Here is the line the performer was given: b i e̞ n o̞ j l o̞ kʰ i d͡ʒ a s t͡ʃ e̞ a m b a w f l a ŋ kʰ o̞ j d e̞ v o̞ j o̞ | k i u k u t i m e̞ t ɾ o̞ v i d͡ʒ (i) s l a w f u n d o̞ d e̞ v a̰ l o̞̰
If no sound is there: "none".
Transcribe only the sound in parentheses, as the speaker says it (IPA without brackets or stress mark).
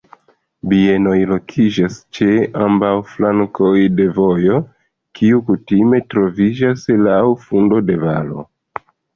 a